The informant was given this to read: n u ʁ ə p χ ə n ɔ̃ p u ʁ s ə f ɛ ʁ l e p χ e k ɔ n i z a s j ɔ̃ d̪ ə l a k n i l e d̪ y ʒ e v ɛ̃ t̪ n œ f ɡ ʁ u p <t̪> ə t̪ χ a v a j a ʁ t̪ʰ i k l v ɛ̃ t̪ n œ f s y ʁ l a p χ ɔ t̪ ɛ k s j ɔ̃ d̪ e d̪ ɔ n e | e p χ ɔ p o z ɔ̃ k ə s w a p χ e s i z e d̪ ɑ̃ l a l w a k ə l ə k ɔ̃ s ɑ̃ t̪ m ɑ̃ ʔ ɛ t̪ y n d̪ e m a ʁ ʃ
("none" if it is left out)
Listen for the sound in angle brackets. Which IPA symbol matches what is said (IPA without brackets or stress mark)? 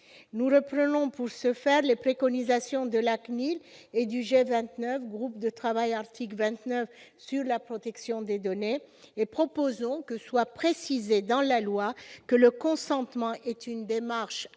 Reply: d̪